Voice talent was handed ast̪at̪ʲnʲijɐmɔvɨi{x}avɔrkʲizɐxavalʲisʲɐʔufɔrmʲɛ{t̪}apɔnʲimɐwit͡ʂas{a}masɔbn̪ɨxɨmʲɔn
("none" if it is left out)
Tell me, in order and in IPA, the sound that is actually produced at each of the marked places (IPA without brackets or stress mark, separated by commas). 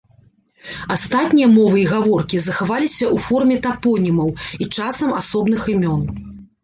ɣ, t̪, ɐ